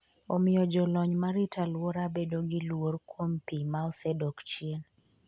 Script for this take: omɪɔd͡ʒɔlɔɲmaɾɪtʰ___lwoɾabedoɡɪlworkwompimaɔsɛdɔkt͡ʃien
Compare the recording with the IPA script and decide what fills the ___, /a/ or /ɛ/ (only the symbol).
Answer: a